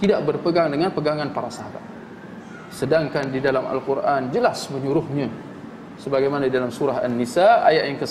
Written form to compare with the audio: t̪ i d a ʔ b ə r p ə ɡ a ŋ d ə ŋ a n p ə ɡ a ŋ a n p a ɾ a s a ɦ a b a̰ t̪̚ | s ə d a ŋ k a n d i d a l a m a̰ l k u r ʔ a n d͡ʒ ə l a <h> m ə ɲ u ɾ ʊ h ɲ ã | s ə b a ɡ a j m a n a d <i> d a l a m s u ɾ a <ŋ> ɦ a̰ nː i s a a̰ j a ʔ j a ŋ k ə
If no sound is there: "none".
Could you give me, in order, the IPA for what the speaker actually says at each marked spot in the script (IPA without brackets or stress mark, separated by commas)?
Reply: s, i, none